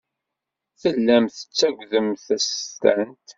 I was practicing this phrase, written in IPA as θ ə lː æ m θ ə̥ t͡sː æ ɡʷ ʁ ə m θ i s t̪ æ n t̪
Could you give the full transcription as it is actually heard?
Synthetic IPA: θ ə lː æ m θ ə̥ t͡sː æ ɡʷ ð ə m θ æ s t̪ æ n t̪